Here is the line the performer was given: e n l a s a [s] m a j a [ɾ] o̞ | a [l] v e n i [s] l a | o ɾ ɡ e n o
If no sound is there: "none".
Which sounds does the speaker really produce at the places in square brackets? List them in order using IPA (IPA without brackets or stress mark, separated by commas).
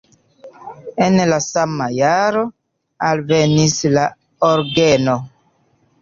none, ɾ, l, s